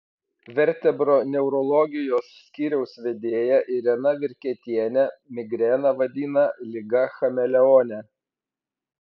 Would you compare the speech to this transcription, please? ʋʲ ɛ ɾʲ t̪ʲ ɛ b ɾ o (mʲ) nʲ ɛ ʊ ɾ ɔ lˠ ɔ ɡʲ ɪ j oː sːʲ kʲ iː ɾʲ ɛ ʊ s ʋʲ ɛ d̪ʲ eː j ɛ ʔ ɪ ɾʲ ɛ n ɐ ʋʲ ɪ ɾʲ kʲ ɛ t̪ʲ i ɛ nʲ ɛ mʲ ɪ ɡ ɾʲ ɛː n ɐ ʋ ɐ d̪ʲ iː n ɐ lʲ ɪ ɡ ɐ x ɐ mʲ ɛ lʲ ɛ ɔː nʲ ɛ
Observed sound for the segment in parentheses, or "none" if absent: none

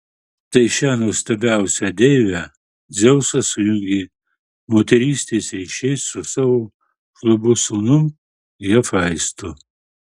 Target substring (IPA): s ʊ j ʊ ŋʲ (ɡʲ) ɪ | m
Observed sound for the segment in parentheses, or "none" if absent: ɡʲ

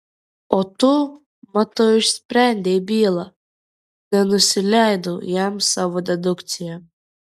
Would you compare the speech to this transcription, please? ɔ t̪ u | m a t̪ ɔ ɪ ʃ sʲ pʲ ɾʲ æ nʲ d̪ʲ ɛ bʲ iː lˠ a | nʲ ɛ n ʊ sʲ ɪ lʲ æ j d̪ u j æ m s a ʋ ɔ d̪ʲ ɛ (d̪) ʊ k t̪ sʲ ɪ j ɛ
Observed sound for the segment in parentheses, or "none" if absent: d̪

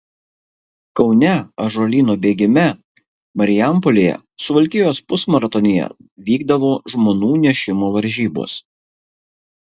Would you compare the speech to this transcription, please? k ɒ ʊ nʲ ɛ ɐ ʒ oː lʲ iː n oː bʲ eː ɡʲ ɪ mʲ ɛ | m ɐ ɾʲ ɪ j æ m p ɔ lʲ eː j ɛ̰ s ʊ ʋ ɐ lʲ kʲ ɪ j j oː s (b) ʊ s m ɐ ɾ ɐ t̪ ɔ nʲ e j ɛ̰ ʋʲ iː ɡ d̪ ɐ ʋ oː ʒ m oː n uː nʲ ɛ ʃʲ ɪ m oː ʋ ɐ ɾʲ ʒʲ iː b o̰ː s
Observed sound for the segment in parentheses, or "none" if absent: p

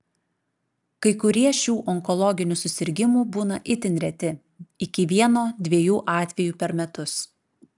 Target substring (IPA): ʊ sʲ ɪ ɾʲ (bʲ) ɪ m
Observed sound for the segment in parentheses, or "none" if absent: ɡʲ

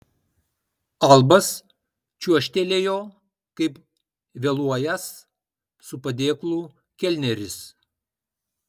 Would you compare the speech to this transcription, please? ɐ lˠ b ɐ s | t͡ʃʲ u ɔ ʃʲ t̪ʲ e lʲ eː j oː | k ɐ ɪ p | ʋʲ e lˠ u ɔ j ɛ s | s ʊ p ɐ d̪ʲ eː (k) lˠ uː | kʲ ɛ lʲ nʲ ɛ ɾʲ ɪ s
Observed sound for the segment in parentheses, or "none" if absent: k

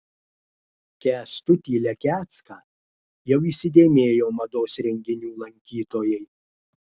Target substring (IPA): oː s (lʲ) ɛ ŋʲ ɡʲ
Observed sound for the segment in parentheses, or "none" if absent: ɾʲ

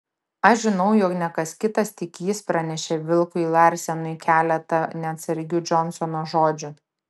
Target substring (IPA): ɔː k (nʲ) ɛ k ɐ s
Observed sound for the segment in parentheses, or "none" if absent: nʲ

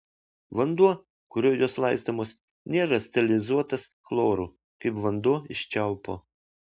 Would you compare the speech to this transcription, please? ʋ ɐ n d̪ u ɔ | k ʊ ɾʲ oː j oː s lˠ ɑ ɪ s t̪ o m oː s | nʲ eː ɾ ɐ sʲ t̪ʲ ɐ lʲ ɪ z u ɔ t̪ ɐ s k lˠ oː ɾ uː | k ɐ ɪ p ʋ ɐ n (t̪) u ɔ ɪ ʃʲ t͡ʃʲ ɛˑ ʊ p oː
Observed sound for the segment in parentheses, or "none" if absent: d̪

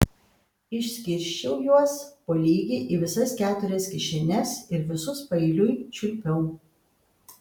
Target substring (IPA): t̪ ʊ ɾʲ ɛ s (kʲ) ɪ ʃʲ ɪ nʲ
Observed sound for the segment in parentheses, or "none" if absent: kʲ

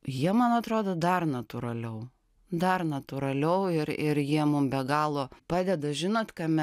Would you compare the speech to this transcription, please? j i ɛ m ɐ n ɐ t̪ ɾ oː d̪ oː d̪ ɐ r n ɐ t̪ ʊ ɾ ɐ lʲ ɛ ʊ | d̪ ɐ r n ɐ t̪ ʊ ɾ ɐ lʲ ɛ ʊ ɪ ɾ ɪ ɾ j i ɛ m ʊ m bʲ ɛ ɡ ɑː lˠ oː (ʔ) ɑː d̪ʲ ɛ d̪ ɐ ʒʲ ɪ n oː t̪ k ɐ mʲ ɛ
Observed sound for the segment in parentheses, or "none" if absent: p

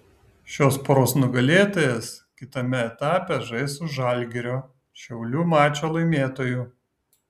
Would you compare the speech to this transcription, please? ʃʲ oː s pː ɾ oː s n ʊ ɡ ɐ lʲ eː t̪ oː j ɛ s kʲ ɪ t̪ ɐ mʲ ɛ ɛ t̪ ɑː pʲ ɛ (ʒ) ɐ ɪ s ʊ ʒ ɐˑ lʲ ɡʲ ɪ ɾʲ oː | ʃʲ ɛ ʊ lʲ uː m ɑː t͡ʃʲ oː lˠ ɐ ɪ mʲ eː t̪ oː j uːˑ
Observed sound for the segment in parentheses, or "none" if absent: ʒ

